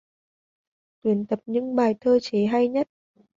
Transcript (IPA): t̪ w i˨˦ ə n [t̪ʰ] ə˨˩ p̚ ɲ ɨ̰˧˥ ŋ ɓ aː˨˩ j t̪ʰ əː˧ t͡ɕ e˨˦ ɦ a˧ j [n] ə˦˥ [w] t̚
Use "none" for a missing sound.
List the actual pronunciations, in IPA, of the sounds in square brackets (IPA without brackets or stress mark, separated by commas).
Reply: t̪, ɲ, none